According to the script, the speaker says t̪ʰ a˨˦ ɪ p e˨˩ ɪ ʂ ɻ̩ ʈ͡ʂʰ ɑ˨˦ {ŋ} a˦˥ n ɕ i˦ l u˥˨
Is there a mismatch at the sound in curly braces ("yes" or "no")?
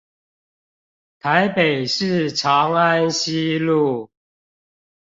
no